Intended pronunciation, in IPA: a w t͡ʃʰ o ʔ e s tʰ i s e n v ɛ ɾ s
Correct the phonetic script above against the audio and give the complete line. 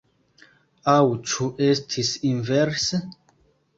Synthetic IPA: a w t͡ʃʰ u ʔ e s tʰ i s i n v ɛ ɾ s